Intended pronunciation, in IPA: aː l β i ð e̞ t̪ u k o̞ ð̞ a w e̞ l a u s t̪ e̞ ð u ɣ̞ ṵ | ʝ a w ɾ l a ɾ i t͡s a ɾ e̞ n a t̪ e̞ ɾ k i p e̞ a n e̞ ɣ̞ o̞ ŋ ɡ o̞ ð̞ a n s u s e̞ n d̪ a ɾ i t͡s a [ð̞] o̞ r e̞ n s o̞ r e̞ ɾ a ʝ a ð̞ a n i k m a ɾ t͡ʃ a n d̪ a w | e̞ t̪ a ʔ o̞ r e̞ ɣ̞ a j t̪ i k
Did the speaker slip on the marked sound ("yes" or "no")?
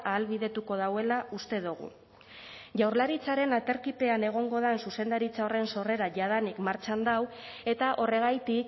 yes